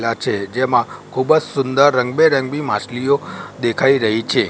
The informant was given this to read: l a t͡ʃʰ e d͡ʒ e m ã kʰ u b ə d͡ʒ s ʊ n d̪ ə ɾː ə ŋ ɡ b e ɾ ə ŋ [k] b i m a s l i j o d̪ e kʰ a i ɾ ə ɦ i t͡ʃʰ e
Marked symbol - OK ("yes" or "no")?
no